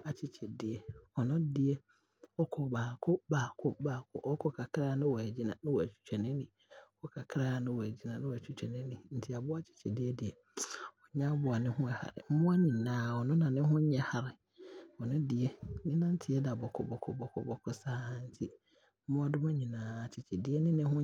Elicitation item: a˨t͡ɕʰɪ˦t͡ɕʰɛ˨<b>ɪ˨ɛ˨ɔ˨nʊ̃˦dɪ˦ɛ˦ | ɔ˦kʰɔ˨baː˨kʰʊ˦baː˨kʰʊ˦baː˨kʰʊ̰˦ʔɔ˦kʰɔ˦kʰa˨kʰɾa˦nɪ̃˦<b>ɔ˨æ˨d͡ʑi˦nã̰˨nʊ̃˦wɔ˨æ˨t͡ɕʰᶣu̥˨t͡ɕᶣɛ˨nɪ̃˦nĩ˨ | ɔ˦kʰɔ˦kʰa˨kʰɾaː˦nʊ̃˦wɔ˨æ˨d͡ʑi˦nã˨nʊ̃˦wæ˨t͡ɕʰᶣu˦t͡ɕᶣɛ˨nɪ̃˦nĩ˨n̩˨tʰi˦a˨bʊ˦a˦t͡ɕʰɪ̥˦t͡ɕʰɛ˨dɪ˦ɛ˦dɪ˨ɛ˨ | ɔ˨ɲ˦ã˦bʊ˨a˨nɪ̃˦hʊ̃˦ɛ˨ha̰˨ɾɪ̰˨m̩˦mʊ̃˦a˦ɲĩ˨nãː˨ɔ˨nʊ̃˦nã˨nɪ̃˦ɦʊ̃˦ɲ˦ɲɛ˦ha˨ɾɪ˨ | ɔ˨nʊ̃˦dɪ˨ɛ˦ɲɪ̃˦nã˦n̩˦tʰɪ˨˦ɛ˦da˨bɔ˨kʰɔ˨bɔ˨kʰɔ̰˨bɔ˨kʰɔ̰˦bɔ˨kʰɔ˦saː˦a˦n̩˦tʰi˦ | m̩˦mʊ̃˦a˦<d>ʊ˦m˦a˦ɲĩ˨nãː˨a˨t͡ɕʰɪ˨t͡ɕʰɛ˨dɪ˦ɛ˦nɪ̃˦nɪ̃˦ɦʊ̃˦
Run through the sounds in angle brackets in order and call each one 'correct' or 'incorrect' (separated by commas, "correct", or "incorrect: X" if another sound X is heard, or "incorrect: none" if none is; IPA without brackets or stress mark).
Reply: incorrect: d, incorrect: w, correct